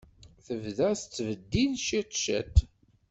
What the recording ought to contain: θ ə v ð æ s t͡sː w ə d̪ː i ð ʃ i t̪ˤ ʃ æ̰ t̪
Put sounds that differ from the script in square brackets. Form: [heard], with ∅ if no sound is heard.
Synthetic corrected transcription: θ ə v ð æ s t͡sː [v] ə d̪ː i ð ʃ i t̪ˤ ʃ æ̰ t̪